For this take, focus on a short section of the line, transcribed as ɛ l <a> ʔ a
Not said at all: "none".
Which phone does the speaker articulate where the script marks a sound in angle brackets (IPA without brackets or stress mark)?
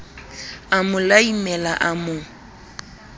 a